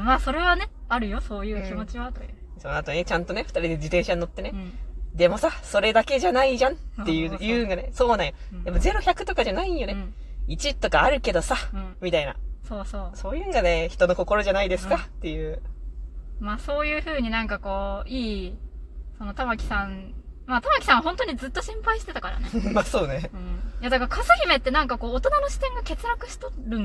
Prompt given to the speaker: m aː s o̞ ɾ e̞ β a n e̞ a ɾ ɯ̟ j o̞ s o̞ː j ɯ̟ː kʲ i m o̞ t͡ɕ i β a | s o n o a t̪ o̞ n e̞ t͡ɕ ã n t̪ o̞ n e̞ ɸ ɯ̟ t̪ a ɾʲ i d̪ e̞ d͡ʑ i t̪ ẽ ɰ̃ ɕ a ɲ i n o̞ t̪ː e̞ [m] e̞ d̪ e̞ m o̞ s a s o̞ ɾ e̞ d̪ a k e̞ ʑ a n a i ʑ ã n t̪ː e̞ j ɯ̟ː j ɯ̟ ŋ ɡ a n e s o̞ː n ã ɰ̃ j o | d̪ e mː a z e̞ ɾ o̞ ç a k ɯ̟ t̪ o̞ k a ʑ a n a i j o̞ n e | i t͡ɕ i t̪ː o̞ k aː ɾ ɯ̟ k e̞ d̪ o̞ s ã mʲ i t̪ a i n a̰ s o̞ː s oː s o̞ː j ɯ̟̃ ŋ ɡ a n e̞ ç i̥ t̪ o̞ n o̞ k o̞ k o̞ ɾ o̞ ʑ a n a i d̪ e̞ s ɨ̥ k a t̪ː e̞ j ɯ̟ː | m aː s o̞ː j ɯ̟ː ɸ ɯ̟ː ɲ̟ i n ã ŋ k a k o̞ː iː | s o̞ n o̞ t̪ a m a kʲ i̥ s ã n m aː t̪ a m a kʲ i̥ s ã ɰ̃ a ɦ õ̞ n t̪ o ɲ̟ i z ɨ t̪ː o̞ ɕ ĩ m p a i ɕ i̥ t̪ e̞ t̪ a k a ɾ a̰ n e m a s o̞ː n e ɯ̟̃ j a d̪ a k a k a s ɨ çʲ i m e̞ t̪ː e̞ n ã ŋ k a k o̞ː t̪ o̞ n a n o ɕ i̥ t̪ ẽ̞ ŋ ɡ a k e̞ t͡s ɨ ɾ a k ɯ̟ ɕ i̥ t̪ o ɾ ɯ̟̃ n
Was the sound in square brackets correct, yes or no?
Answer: no